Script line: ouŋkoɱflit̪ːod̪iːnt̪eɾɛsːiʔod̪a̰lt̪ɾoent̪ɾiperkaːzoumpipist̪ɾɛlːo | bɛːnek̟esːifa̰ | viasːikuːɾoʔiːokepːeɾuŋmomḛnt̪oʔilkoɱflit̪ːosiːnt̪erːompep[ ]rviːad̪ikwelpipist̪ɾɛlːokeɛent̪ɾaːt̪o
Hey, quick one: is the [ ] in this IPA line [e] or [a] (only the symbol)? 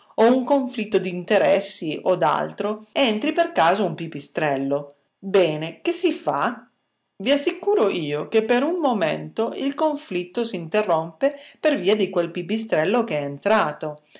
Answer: e